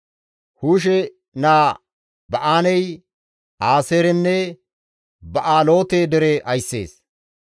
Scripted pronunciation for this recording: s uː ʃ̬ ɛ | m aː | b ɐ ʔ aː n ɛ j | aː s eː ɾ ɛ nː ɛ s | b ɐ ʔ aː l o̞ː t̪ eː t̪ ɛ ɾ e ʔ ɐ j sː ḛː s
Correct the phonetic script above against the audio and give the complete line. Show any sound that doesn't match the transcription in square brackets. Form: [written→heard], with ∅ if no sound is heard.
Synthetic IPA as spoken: [s→h] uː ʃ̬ ɛ | [m→n] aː | b ɐ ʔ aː n ɛ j | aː s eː ɾ ɛ nː ɛ [s→∅] | b ɐ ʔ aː l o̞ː t̪ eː [t̪→d̪] ɛ ɾ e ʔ ɐ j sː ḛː s